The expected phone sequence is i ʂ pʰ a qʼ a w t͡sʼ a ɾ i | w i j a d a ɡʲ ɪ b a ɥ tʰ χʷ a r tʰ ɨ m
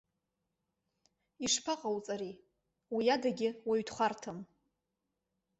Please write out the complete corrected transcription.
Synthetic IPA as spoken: i ʂ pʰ a qʼ a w t͡sʼ a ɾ i | w i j a d a ɡʲ ɪ w a ɥ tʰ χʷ a r tʰ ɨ m